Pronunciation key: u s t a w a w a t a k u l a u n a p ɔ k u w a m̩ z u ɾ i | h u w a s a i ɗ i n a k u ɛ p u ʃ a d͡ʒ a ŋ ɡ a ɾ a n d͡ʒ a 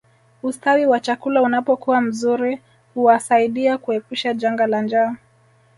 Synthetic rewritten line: u s t a w i w a t͡ʃ a k u l a u n a p ɔ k u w a m̩ z u ɾ i | h u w a s a i ɗ i a k u ɛ p u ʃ a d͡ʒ a ŋ ɡ a l a n d͡ʒ a